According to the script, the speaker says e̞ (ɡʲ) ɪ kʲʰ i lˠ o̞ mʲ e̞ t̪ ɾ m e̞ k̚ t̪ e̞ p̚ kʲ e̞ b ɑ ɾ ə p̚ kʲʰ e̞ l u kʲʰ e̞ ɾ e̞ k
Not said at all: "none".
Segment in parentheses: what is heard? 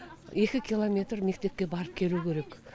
kʲ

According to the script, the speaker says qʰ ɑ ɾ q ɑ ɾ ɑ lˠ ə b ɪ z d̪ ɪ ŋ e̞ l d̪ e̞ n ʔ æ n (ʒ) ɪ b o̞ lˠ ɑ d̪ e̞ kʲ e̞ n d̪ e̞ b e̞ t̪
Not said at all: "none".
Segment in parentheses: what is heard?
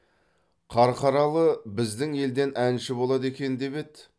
ʃ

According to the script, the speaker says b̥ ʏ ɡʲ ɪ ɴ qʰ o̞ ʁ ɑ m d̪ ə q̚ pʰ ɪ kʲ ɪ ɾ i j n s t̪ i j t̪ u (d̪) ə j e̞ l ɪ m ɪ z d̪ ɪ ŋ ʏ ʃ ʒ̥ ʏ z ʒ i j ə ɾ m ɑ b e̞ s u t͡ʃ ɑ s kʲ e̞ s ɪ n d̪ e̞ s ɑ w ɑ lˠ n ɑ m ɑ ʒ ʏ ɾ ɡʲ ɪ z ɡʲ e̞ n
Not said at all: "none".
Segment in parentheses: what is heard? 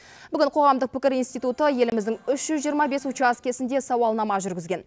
t̪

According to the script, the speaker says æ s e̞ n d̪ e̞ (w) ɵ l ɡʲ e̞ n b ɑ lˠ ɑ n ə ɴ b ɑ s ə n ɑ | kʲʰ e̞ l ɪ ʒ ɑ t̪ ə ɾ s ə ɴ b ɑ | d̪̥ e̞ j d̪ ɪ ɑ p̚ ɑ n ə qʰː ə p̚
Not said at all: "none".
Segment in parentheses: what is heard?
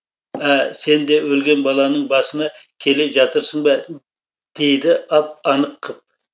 w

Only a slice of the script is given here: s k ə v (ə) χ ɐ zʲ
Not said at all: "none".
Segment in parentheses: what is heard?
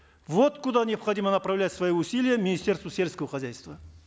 ə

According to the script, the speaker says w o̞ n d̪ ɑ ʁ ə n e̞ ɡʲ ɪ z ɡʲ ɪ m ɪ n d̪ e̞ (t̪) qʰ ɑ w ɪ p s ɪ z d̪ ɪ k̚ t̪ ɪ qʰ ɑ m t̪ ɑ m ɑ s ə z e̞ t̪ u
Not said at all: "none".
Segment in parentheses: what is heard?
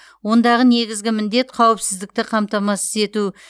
t̪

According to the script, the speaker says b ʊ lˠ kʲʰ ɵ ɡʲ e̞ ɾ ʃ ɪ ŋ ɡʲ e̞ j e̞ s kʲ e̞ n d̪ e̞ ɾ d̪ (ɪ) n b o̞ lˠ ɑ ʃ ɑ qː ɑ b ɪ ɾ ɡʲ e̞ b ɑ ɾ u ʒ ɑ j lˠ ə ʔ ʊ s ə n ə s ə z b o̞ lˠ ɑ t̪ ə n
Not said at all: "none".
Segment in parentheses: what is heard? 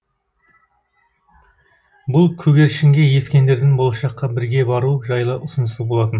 ɪ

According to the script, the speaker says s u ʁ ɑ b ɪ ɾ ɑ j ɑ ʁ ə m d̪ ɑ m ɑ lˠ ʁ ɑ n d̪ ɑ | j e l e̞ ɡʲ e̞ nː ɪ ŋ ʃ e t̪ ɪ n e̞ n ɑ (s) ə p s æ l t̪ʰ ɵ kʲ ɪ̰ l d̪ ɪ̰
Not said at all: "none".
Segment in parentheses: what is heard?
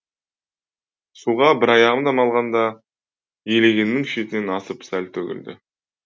s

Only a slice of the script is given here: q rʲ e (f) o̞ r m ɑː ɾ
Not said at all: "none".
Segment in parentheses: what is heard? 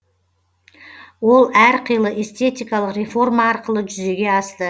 f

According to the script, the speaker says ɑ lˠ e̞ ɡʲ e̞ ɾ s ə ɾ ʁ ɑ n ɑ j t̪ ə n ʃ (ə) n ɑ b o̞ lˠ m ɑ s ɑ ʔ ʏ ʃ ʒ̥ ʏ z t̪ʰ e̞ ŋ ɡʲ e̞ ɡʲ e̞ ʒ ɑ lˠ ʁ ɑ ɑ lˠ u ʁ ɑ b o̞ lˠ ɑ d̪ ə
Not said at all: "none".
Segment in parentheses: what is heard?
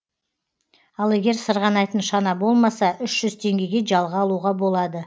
ɑ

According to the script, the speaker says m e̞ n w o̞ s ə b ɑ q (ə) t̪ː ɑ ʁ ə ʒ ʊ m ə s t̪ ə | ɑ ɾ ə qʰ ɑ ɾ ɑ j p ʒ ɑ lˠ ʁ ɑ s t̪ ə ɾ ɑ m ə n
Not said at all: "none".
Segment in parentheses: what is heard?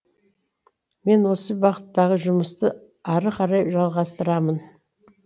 ə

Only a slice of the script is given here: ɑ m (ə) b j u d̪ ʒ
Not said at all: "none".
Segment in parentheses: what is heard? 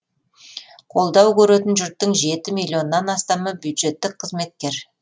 ə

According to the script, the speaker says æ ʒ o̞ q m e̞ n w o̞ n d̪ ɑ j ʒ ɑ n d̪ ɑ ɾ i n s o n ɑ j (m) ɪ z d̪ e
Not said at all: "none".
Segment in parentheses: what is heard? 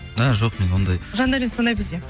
b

